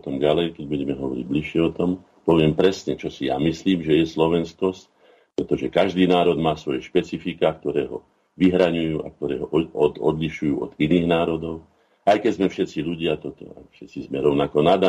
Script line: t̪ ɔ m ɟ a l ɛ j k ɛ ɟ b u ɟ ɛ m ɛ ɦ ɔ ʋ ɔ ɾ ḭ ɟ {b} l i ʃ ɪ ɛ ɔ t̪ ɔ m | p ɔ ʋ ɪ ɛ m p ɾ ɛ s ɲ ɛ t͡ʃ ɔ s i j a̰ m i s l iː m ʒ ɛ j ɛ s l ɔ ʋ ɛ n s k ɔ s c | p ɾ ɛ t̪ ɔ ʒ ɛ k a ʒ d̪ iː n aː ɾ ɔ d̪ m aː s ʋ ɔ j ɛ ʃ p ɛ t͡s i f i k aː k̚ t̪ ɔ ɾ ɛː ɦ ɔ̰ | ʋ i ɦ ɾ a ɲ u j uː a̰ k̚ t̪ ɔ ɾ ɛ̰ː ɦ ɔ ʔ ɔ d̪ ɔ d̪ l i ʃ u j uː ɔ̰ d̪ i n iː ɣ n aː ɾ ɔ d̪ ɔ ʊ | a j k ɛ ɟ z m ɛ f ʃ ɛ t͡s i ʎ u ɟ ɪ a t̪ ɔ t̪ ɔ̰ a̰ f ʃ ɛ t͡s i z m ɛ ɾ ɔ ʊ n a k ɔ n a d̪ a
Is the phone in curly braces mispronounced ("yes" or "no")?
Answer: no